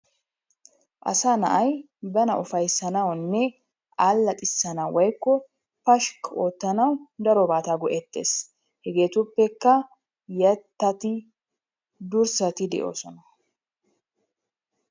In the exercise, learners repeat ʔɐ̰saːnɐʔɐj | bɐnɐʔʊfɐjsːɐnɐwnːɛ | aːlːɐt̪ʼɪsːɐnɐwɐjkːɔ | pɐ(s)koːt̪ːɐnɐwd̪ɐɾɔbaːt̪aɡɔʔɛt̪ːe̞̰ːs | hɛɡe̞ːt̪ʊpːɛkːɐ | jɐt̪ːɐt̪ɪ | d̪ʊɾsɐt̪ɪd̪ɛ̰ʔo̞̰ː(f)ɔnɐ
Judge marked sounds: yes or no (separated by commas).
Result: no, no